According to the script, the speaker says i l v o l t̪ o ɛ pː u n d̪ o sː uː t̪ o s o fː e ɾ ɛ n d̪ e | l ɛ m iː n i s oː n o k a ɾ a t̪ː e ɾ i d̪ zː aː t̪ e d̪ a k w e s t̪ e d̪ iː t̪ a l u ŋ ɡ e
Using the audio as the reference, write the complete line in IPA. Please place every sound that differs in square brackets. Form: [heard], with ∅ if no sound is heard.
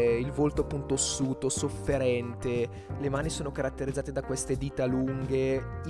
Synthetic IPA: i l v o l t̪ o [a] pː u n [t̪] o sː uː t̪ o s o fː e ɾ ɛ n [t̪] e | l [e] m [aː] n i s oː n o k a ɾ a t̪ː e ɾ i d̪ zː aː t̪ e d̪ a k w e s t̪ e d̪ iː t̪ a l u ŋ ɡ e